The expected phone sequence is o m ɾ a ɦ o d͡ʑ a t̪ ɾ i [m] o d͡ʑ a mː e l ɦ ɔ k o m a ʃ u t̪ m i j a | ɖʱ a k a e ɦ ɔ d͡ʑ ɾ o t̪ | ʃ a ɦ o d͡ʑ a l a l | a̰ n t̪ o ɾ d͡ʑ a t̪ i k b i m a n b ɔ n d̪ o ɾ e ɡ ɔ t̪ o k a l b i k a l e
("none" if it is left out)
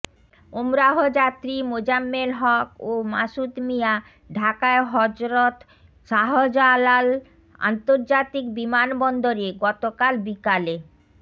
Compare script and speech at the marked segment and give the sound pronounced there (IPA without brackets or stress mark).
m